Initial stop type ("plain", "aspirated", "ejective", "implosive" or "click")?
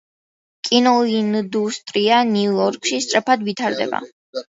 ejective